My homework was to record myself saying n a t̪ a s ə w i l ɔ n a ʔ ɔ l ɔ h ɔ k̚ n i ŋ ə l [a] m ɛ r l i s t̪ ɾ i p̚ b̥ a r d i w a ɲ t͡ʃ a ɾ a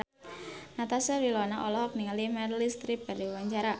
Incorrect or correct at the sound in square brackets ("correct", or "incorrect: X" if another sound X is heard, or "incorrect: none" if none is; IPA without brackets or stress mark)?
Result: incorrect: i